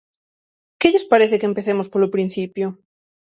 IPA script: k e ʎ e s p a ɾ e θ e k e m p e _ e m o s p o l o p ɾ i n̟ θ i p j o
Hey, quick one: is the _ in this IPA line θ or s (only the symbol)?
θ